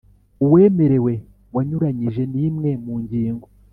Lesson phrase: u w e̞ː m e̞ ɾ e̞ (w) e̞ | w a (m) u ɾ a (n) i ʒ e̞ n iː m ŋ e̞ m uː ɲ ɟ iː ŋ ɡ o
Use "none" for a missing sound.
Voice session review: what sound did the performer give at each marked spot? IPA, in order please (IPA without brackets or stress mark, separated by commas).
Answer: w, ɲ, ɲ